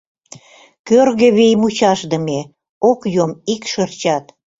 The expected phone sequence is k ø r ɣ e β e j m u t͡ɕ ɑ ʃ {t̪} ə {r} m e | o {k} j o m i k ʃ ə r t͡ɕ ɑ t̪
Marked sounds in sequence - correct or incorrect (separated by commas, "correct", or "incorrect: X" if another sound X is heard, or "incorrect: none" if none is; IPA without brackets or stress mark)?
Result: incorrect: d̪, incorrect: none, correct